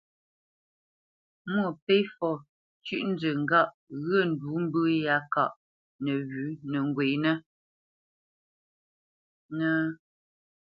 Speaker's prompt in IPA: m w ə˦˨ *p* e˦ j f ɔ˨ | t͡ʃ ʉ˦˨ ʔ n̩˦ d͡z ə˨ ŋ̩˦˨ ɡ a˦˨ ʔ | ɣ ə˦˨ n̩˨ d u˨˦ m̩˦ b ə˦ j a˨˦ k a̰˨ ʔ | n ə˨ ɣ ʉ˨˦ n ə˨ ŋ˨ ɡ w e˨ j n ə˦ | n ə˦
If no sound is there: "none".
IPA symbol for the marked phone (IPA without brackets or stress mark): p